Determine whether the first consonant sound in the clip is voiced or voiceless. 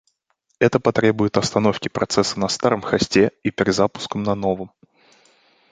voiceless